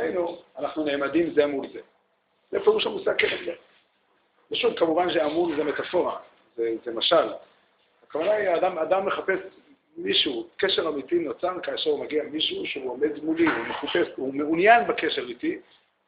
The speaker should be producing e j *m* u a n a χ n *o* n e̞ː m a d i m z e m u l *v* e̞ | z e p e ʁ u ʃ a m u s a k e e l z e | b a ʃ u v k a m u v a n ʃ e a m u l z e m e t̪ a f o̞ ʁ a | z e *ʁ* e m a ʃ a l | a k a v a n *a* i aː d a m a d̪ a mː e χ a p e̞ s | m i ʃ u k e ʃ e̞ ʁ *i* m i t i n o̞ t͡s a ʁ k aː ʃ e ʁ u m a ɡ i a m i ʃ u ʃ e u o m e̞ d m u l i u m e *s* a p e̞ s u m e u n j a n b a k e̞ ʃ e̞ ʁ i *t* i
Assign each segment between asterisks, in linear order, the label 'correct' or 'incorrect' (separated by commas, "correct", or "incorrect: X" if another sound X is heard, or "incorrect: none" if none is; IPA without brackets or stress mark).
incorrect: n, incorrect: u, incorrect: z, incorrect: z, correct, incorrect: a, incorrect: χ, correct